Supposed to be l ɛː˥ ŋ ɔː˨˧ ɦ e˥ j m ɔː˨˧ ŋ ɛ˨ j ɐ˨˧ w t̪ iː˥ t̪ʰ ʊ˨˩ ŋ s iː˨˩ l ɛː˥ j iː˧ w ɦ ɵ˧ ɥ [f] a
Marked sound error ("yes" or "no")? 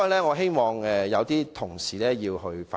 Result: no